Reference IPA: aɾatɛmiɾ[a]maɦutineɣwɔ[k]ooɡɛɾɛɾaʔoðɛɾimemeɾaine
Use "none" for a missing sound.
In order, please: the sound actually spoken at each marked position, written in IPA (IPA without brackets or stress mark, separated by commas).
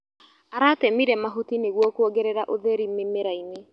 ɛ, k